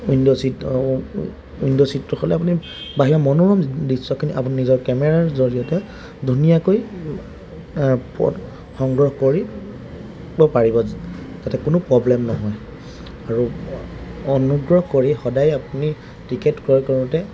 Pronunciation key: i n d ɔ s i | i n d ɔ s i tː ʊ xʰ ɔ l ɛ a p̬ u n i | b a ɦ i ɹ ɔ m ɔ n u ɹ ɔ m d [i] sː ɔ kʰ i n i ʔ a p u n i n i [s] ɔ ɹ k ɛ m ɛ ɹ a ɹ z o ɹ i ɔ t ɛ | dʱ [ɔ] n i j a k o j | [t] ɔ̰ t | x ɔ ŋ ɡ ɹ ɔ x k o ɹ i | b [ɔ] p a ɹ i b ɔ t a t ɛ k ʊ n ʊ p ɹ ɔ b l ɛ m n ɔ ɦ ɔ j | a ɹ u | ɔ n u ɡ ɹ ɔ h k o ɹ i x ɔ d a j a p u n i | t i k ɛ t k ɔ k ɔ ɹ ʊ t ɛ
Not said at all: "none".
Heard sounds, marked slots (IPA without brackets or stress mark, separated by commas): i, z, u, p, ɔ